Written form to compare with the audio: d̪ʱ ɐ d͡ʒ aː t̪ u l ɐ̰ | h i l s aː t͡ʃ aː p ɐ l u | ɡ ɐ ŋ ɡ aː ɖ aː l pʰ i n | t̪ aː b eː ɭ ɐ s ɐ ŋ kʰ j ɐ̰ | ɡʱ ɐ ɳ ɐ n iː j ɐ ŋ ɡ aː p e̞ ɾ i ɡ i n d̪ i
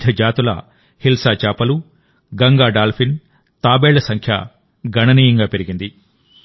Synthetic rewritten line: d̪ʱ ɐ d͡ʒ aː t̪ u l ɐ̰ | h i l s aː t͡ʃ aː p ɐ l u | ɡ ɐ ŋ ɡ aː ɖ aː l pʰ i n | t̪ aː b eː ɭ ɐ s ɐ ŋ kʰ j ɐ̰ | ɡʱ ɐ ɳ ɐ n iː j ɐ ŋ ɡ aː p e̞ ɾ i ɡ i n d̪ i